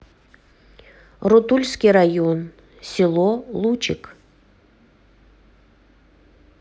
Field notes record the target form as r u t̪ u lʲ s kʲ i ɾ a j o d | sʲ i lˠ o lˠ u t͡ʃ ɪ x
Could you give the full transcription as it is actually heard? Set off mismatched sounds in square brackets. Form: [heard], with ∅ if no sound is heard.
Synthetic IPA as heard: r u t̪ u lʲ s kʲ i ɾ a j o [n] | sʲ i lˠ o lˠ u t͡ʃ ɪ [k]